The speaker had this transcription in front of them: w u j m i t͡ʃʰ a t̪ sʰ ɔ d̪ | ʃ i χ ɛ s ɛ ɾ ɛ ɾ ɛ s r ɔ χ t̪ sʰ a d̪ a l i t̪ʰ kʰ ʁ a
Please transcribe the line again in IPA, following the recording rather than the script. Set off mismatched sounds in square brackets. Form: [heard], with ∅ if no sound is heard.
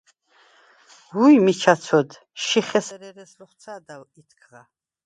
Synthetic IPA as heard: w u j m i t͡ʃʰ a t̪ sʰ ɔ d̪ | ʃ i χ ɛ s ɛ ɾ ɛ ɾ ɛ s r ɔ χ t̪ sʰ a d̪ a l i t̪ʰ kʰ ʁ a